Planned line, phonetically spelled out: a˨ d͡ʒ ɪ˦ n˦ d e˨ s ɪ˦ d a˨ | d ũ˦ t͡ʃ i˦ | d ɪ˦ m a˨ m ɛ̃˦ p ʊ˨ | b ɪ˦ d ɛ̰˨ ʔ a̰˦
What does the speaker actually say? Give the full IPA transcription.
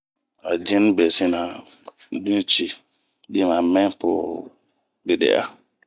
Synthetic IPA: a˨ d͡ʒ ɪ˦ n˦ b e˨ s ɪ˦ n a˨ | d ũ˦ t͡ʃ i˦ | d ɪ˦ m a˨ m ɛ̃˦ p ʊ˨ | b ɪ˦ d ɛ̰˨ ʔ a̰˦